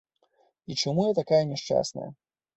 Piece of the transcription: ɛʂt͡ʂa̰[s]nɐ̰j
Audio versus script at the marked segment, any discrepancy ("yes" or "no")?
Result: no